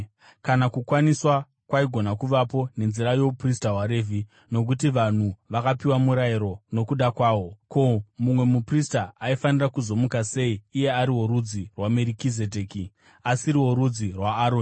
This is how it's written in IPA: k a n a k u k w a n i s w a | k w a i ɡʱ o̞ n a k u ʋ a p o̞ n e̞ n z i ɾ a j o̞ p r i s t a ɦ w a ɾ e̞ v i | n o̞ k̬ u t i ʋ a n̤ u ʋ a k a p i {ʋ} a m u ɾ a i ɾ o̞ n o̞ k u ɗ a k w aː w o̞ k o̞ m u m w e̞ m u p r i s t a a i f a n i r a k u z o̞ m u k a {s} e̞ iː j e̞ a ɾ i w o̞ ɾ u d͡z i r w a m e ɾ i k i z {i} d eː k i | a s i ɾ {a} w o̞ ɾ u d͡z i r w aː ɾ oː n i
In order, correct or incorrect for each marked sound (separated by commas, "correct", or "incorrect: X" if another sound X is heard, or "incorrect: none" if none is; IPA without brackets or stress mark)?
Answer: incorrect: w, correct, incorrect: e, incorrect: i